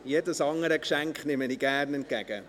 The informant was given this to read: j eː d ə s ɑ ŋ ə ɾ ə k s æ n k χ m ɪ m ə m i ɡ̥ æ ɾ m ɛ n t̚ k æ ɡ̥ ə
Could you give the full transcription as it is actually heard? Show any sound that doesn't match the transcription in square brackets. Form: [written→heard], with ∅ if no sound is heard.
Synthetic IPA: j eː d ə s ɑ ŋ ə ɾ ə k [s→ʃ] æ [n→ŋ] k χ [m→n] ɪ m ə [m→n] i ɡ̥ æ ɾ [m→n] ɛ n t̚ k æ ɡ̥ ə